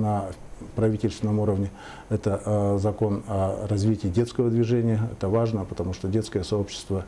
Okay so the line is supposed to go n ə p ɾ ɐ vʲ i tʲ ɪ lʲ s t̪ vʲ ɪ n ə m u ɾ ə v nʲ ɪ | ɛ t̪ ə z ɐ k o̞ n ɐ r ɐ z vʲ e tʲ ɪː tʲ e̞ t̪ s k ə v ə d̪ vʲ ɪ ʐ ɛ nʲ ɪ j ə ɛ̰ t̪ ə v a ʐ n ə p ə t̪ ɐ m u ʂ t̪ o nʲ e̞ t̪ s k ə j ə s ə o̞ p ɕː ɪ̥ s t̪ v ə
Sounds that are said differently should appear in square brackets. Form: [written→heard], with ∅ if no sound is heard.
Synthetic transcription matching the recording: n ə p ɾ ɐ vʲ i tʲ ɪ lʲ s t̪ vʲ ɪ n ə m u ɾ ə v nʲ ɪ | ɛ t̪ ə z ɐ k o̞ n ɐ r ɐ z vʲ [e→i] tʲ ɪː [tʲ→dʲ] e̞ t̪ s k ə v ə d̪ vʲ ɪ ʐ ɛ nʲ ɪ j ə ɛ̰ t̪ ə v a ʐ n ə p ə t̪ ɐ m u ʂ t̪ o [nʲ→dʲ] e̞ t̪ s k ə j ə s [ə→ɐ] o̞ p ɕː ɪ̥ s t̪ v ə